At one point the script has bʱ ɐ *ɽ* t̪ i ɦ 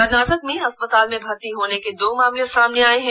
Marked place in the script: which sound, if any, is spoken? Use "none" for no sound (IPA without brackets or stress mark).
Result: ɾ